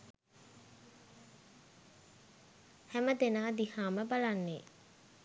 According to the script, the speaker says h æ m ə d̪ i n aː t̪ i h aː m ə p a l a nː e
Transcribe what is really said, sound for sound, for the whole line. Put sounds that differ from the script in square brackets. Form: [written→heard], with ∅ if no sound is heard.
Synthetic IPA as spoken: h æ m ə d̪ [i→e] n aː [t̪→d̪] i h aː m ə [p→b] a l a nː e